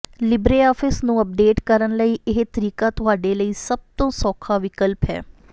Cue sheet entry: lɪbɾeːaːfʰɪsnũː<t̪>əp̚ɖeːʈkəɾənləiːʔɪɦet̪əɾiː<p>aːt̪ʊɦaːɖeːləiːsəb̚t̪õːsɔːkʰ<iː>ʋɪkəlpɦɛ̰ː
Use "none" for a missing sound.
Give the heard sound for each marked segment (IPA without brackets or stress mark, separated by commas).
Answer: none, k, aː